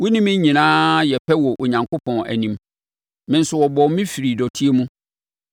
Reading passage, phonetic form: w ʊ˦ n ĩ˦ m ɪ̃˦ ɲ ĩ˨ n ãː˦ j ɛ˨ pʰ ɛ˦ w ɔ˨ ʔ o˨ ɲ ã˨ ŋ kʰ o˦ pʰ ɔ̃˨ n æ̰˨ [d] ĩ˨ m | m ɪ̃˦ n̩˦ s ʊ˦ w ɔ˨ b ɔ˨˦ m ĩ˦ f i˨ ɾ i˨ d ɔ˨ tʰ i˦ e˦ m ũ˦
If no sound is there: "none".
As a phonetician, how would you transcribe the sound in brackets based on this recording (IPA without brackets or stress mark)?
n